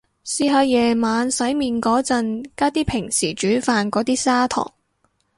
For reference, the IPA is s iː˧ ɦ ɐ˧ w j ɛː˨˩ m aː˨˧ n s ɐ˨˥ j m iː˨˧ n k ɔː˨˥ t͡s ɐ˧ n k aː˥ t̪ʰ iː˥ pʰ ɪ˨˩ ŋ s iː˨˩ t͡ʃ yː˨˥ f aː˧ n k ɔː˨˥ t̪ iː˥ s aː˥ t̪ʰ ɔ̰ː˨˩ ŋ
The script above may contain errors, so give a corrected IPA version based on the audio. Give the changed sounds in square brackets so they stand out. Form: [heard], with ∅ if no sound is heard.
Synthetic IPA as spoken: s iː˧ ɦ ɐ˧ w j ɛː˨˩ m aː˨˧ n s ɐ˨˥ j m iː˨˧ n k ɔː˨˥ t͡s ɐ˧ n k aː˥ [t̪] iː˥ pʰ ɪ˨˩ ŋ s iː˨˩ t͡ʃ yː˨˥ f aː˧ n k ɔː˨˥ t̪ iː˥ s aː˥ t̪ʰ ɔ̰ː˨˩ ŋ